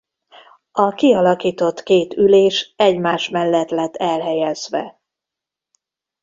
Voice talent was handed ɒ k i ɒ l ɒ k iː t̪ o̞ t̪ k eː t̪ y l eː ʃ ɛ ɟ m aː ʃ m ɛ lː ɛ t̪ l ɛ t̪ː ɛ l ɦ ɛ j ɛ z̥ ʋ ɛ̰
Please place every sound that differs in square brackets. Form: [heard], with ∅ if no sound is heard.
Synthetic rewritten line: ɒ k i ɒ l ɒ k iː t̪ o̞ t̪ k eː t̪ y l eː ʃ ɛ ɟ m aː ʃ m ɛ lː ɛ t̪ l ɛ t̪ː ɛ l ɦ ɛ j ɛ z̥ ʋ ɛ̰